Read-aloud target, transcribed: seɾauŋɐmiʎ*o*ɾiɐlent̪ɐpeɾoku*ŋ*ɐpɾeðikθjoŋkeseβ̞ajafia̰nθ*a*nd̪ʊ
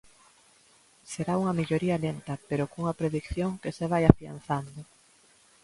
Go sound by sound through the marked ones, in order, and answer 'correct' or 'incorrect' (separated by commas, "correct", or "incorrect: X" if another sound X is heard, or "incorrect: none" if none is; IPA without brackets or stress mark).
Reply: correct, correct, correct